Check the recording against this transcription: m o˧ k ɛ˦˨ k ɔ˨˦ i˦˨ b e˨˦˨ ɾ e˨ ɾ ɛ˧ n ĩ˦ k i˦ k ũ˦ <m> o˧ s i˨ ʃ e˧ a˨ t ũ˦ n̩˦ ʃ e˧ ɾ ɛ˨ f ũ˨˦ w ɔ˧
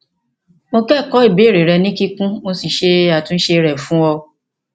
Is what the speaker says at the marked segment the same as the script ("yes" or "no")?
yes